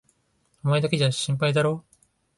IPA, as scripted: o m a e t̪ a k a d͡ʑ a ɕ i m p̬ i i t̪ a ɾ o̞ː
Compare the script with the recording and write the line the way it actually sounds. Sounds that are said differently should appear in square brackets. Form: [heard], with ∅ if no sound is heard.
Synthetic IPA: o m a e [d̪] a k [e] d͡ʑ a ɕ [ĩ] m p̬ [a] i [d̪] a ɾ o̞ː